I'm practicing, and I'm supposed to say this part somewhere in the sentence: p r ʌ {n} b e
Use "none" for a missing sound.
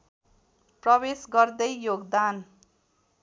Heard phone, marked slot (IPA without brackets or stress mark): none